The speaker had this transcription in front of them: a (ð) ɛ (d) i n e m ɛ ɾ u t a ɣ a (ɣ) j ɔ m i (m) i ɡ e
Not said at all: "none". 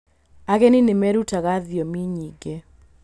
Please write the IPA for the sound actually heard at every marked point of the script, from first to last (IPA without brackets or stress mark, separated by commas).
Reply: ɣ, n, ð, ɲ